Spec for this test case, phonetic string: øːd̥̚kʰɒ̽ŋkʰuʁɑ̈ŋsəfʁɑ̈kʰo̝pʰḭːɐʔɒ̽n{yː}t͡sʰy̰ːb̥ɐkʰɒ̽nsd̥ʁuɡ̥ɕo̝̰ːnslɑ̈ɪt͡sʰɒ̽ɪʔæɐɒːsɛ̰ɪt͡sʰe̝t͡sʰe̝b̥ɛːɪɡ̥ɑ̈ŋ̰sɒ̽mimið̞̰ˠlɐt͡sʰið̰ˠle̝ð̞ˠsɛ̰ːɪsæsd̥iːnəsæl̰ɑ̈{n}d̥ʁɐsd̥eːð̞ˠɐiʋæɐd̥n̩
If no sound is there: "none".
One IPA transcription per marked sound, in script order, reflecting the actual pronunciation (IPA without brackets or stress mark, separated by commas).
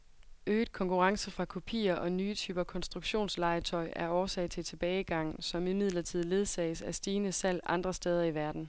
yː, n